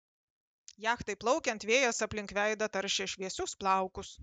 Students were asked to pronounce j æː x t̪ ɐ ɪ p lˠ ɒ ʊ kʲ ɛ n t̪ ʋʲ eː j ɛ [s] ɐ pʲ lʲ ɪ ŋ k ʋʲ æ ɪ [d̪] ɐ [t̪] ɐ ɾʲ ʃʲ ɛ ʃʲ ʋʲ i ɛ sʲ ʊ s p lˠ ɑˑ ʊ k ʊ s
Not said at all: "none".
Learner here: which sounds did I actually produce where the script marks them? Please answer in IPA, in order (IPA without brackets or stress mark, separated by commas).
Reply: s, d̪, t̪